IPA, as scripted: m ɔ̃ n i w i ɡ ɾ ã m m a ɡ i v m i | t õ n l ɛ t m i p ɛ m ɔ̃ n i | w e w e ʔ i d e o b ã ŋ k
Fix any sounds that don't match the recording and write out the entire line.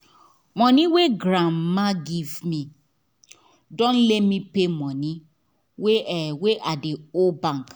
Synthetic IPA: m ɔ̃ n i w e ɡ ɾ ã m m a ɡ i v m i | d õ n l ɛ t m i p e m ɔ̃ n i | w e w e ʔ a d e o b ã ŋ k